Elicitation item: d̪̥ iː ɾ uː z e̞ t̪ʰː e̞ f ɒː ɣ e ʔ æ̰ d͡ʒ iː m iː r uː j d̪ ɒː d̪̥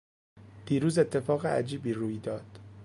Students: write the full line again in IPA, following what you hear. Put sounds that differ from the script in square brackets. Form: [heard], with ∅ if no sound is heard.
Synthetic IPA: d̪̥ iː ɾ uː z e̞ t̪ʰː e̞ f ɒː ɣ e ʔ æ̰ d͡ʒ iː [b] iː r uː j d̪ ɒː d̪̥